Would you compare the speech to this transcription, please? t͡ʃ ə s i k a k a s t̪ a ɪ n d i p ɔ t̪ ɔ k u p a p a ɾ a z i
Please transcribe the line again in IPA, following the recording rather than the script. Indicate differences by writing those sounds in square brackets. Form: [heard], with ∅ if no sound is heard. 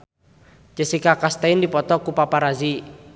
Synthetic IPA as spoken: t͡ʃ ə s i k a k a s t̪ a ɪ n d i p ɔ t̪ ɔ k u p a p a ɾ a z i